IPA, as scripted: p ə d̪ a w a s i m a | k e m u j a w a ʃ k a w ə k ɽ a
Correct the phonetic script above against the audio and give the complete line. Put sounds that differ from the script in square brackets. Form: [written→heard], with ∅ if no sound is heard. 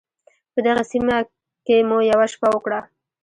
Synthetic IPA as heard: p ə d̪ a [w→ɣ] a s i m a | k e m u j a w a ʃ [k→p] a w ə k ɽ a